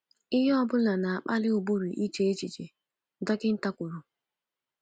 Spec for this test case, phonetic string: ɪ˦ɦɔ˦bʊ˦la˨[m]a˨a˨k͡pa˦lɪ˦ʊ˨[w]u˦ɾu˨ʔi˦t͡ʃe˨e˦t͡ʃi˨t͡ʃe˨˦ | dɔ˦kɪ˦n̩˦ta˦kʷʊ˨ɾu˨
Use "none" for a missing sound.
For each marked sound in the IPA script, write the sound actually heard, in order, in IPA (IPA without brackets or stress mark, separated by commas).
n, b